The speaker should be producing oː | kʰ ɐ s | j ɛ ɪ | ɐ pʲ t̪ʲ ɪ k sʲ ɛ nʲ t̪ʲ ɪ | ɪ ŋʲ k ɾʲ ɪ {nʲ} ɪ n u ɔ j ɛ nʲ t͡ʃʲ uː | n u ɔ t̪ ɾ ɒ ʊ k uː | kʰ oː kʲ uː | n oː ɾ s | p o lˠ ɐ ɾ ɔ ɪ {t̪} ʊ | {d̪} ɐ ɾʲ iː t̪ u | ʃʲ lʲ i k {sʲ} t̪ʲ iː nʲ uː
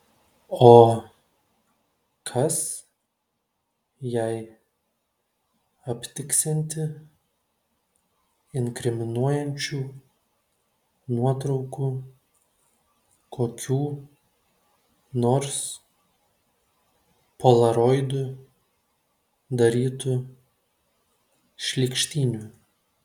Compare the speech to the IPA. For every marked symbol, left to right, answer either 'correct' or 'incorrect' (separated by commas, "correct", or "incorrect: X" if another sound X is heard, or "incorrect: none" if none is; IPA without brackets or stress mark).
incorrect: mʲ, incorrect: d̪, correct, incorrect: ʃʲ